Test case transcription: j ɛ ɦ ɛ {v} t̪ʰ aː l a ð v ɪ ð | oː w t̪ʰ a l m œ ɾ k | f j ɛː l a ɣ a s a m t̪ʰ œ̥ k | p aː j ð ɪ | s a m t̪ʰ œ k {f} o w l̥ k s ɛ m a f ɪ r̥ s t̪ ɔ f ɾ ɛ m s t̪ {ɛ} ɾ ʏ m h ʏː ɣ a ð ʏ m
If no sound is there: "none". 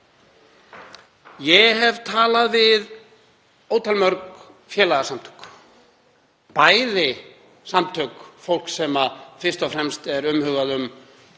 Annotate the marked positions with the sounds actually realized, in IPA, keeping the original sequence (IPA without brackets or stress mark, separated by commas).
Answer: v, f, ɛ